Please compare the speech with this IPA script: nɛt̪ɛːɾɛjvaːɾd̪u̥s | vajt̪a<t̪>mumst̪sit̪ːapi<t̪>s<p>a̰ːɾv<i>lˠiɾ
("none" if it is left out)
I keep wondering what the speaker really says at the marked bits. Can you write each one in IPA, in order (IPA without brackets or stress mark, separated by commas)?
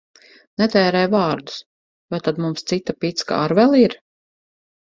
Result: d̪, t̪, k, ɛ